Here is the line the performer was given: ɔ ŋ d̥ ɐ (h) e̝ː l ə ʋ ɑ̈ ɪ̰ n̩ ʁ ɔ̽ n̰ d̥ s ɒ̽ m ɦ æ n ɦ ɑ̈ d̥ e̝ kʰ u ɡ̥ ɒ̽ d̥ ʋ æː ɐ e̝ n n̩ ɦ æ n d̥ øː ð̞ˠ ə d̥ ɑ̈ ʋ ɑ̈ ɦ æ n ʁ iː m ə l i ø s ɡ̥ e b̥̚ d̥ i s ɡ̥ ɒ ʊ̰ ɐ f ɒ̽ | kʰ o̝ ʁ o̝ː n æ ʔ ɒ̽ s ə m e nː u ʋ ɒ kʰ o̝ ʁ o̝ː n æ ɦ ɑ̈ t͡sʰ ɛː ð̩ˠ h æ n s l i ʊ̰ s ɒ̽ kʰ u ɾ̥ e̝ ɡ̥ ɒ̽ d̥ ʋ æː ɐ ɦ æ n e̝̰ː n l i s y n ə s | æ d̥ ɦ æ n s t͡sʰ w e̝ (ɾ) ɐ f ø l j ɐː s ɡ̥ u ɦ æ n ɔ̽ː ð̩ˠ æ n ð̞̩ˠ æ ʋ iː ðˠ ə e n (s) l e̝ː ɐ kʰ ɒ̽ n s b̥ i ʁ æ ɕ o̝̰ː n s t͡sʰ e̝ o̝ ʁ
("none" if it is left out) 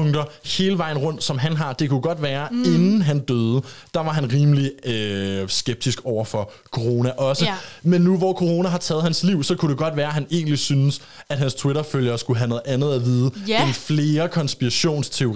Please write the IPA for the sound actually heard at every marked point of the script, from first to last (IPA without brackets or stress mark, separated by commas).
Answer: h, ɾ, f